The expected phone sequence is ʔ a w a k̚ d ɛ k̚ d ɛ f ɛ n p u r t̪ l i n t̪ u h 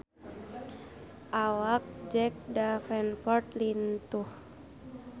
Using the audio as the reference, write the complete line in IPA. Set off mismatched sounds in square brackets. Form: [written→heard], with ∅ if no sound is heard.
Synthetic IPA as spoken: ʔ a w a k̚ [d→d͡ʒ] ɛ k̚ d [ɛ→a] f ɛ n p [u→ɔ] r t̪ l i n t̪ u h